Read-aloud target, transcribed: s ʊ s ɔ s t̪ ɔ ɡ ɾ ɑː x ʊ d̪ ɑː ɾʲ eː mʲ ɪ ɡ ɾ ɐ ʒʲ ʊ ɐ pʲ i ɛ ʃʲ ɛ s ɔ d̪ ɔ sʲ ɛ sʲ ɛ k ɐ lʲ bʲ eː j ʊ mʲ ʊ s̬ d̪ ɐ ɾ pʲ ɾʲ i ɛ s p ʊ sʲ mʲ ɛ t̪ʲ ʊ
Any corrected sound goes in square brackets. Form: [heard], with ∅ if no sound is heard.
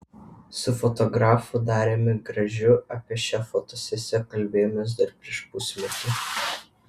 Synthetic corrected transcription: s ʊ [f] ɔ [∅] t̪ ɔ ɡ ɾ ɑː [f] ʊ d̪ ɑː ɾʲ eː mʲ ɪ ɡ ɾ ɐ ʒʲ ʊ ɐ pʲ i ɛ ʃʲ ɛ [f] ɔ [t̪] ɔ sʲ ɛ sʲ ɛ k ɐ lʲ bʲ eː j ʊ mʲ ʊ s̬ d̪ ɐ ɾ pʲ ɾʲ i ɛ [ʃ] p ʊ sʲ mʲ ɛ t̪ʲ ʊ

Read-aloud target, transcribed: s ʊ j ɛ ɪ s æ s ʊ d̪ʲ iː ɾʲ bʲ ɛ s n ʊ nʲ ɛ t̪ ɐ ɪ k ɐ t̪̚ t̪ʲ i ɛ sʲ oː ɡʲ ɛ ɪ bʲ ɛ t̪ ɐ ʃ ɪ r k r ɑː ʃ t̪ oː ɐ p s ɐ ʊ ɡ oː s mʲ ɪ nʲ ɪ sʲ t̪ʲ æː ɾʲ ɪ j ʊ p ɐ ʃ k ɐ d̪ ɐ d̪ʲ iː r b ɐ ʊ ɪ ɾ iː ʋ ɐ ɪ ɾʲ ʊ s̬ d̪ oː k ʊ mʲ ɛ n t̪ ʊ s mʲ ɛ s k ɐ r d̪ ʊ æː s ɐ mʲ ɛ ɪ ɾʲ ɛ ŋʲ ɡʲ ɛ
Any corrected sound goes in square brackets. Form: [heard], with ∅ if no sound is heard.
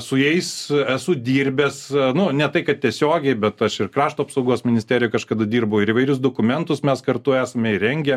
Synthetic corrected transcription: s ʊ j ɛ ɪ s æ s ʊ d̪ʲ iː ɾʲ bʲ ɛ s n ʊ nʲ ɛ t̪ ɐ ɪ k ɐ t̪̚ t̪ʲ i ɛ sʲ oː ɡʲ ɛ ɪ bʲ ɛ t̪ ɐ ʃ ɪ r k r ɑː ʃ t̪ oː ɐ p s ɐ ʊ ɡ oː s mʲ ɪ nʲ ɪ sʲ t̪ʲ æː ɾʲ ɪ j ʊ [k] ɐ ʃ k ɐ d̪ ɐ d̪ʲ iː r b ɐ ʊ ɪ ɾ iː ʋ ɐ ɪ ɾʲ ʊ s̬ d̪ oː k ʊ mʲ ɛ n t̪ ʊ s mʲ ɛ s k ɐ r [t̪] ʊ æː s ɐ mʲ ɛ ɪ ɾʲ ɛ ŋʲ ɡʲ ɛ

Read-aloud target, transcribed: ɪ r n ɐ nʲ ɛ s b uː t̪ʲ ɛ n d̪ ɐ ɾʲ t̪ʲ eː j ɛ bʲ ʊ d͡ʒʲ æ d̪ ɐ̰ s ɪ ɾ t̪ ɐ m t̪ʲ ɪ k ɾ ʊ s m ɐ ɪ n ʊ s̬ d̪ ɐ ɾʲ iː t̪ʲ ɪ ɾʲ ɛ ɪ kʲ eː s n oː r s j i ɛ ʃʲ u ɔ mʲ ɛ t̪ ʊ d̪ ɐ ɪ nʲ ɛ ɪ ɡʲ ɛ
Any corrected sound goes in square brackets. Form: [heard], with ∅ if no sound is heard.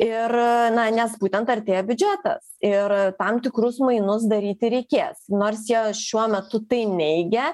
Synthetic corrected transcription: ɪ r n ɐ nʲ ɛ s b uː t̪ʲ ɛ n [t̪] ɐ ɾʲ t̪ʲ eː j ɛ bʲ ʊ d͡ʒʲ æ [t̪] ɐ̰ s ɪ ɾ t̪ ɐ m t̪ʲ ɪ k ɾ ʊ s m ɐ ɪ n ʊ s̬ d̪ ɐ ɾʲ iː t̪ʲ ɪ ɾʲ ɛ ɪ kʲ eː s n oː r s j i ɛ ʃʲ u ɔ mʲ ɛ t̪ ʊ [t̪] ɐ ɪ nʲ ɛ ɪ ɡʲ ɛ

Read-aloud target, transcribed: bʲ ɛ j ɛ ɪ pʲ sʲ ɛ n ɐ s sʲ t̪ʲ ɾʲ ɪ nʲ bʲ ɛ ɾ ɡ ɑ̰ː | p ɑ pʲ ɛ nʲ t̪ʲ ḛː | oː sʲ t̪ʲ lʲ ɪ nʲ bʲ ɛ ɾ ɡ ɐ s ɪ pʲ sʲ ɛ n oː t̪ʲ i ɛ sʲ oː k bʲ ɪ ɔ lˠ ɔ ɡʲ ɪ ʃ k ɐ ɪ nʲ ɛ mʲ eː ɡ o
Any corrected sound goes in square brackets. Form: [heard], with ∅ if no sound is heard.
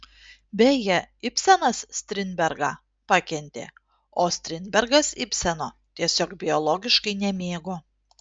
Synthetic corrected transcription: bʲ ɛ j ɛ ɪ pʲ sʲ ɛ n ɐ s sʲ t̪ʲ ɾʲ ɪ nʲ bʲ ɛ ɾ ɡ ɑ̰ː | p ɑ [kʲ] ɛ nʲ t̪ʲ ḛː | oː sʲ t̪ʲ [ɾʲ] ɪ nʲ bʲ ɛ ɾ ɡ ɐ s ɪ pʲ sʲ ɛ n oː t̪ʲ i ɛ sʲ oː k bʲ ɪ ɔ lˠ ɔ ɡʲ ɪ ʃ k ɐ ɪ nʲ ɛ mʲ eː ɡ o

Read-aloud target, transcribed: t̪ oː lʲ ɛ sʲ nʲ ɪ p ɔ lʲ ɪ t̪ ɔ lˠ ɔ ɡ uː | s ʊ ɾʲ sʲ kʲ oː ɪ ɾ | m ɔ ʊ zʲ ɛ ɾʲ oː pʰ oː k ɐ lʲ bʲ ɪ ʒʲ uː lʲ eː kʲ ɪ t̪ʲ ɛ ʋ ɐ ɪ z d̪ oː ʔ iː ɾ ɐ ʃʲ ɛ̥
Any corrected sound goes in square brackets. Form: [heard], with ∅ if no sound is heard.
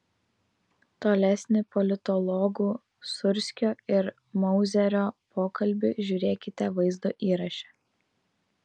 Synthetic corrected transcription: t̪ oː lʲ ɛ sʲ nʲ ɪ p ɔ lʲ ɪ t̪ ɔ lˠ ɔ ɡ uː | s ʊ ɾʲ sʲ kʲ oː ɪ ɾ | m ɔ ʊ zʲ ɛ ɾʲ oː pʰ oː k ɐ lʲ bʲ ɪ ʒʲ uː [ɾʲ] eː kʲ ɪ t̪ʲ ɛ ʋ ɐ ɪ z d̪ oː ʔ iː ɾ ɐ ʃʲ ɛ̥

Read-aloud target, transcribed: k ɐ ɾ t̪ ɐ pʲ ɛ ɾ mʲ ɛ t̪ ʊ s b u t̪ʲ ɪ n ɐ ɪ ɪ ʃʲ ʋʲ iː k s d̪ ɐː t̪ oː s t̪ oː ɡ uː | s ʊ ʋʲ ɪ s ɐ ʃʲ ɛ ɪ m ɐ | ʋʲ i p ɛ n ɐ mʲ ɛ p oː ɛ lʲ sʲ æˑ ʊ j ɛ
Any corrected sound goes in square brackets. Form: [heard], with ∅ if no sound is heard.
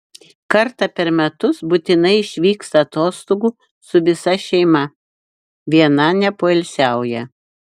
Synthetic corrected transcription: k ɐ ɾ t̪ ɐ pʲ ɛ ɾ mʲ ɛ t̪ ʊ s b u t̪ʲ ɪ n ɐ ɪ ɪ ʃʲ ʋʲ iː k s [t̪] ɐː t̪ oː s t̪ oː ɡ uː | s ʊ ʋʲ ɪ s ɐ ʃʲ ɛ ɪ m ɐ | ʋʲ i [∅] ɛ n ɐ [nʲ] ɛ p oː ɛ lʲ sʲ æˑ ʊ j ɛ

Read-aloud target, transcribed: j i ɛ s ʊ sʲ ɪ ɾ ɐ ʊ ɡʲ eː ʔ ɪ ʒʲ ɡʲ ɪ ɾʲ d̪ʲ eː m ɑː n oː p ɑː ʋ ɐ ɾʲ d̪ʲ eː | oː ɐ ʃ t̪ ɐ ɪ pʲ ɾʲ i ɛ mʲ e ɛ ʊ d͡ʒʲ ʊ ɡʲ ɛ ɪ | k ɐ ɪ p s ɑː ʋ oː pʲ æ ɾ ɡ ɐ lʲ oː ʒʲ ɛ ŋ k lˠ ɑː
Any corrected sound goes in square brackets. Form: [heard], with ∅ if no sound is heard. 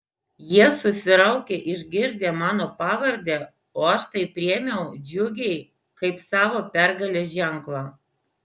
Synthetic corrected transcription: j i ɛ s ʊ sʲ ɪ ɾ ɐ ʊ [kʲ] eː ʔ ɪ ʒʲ ɡʲ ɪ ɾʲ d̪ʲ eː m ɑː n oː p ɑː ʋ ɐ ɾʲ d̪ʲ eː | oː ɐ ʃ t̪ ɐ ɪ pʲ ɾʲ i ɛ mʲ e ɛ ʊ d͡ʒʲ ʊ ɡʲ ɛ ɪ | k ɐ ɪ p s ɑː ʋ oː pʲ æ ɾ ɡ ɐ lʲ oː ʒʲ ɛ ŋ k lˠ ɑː

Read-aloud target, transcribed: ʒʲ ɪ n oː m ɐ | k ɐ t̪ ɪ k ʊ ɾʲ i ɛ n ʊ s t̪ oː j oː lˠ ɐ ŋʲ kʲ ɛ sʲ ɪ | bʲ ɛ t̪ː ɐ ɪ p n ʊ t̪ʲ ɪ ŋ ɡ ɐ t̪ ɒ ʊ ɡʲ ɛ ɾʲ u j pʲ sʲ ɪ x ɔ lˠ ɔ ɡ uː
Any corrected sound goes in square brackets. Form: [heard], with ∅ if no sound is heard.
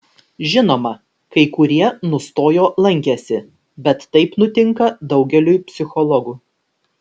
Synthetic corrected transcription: ʒʲ ɪ n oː m ɐ | k ɐ [∅] ɪ k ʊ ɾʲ i ɛ n ʊ s t̪ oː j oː lˠ ɐ ŋʲ kʲ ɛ sʲ ɪ | bʲ ɛ t̪ː ɐ ɪ p n ʊ t̪ʲ ɪ ŋ [k] ɐ [d̪] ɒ ʊ ɡʲ ɛ [lʲ] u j pʲ sʲ ɪ x ɔ lˠ ɔ ɡ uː

